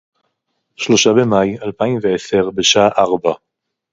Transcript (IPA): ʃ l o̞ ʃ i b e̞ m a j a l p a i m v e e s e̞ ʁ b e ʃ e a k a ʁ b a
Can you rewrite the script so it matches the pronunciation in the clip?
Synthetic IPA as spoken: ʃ l o̞ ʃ a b e̞ m a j a l p a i m v e e s e̞ ʁ b e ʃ a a ʔ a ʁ b a